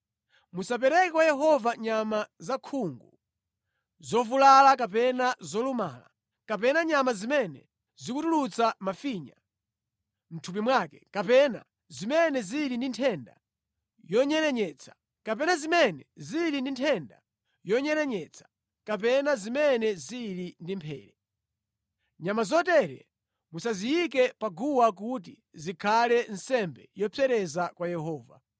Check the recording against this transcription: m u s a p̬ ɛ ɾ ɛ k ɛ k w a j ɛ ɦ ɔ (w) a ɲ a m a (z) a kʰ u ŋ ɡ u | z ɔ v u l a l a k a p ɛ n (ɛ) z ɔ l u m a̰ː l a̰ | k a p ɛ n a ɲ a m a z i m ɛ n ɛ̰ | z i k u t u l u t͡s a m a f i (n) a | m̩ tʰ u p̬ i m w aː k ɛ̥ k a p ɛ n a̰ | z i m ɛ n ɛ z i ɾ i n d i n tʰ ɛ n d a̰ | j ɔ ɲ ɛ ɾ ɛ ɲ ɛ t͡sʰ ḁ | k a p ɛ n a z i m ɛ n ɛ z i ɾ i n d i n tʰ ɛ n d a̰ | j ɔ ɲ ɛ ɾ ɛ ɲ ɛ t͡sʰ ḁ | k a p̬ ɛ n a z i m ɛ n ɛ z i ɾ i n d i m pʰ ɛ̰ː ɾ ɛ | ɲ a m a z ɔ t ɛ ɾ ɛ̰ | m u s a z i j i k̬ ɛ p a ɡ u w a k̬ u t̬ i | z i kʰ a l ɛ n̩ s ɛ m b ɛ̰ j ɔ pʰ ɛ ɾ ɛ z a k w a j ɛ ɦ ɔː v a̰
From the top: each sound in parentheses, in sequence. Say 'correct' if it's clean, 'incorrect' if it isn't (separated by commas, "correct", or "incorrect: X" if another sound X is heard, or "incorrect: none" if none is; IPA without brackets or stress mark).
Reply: incorrect: v, correct, incorrect: a, incorrect: ɲ